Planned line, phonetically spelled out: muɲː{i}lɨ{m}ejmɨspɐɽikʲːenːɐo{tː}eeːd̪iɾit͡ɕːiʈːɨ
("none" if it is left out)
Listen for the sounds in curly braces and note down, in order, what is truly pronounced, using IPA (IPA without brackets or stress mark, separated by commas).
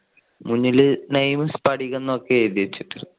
i, n, kː